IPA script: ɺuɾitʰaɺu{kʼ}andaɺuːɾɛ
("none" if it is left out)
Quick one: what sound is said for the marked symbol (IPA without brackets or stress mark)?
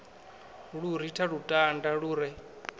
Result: tʼ